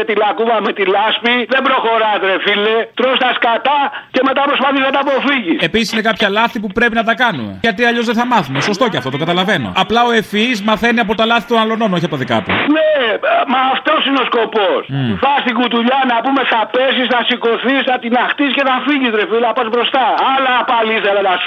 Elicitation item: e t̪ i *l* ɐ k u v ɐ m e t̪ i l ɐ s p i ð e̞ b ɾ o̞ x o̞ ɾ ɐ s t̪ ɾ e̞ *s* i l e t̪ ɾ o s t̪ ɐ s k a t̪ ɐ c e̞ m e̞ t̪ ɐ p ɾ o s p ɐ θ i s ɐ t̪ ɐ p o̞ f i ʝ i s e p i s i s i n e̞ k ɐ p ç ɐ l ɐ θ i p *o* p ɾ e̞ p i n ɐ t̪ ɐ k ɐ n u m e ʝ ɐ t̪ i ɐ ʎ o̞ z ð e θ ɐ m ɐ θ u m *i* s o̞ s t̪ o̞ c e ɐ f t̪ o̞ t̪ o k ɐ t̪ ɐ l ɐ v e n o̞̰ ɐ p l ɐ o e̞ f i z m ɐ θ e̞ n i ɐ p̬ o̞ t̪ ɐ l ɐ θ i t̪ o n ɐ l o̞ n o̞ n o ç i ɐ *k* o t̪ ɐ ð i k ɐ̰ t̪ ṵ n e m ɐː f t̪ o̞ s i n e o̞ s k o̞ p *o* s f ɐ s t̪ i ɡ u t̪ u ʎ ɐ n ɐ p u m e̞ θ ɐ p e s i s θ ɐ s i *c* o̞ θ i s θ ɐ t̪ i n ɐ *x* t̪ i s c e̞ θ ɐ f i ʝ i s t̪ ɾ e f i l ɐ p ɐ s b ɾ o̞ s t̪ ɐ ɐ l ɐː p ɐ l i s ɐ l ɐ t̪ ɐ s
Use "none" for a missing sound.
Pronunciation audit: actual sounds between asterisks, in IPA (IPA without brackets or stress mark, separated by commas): l, f, u, e, p, o, k, x